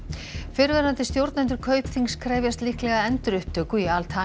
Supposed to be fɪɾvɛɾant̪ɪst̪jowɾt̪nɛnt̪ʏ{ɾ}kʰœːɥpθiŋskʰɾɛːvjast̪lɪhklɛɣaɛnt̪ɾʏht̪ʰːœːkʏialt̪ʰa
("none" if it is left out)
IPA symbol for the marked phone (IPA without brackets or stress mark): ɾ